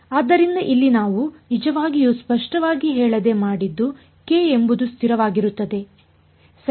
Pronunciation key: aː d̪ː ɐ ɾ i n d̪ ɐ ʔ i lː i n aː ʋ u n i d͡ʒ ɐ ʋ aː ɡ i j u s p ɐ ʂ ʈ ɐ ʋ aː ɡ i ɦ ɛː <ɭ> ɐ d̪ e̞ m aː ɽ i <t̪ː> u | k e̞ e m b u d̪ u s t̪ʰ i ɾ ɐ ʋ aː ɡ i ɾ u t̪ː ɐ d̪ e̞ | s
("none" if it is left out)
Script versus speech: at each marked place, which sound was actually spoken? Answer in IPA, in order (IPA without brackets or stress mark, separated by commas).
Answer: ɭ, d̪ː